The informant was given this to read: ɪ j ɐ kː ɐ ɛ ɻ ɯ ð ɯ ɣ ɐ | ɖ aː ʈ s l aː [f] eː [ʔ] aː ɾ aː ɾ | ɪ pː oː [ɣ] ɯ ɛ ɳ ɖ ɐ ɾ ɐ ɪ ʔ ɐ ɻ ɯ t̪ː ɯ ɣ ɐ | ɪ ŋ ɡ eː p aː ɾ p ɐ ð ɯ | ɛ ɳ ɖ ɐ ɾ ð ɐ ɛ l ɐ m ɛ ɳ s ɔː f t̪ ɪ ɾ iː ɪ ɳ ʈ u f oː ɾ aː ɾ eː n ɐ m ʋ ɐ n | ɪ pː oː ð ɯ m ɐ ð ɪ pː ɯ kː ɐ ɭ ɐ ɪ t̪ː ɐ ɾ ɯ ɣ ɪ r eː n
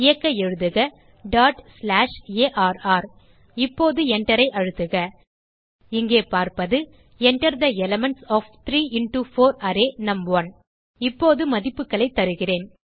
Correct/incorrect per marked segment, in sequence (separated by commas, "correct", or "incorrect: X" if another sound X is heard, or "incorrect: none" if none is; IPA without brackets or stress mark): incorrect: ʂ, correct, incorrect: ð